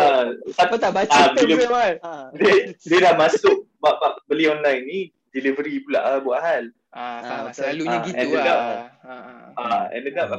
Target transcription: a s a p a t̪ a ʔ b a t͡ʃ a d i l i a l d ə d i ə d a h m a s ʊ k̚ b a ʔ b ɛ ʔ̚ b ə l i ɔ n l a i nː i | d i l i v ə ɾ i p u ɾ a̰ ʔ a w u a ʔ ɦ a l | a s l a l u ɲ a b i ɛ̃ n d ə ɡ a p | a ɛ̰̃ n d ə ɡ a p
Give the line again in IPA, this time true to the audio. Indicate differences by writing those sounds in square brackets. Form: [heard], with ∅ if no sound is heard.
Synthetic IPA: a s a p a t̪ a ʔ b a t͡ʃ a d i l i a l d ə d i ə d a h m a s ʊ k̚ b a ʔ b [a] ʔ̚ b ə l i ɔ n l a [j] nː i | d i l i v ə ɾ i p u [l] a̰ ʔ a [b] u a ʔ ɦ a l | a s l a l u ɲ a [ɡ] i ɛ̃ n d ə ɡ a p | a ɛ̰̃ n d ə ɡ a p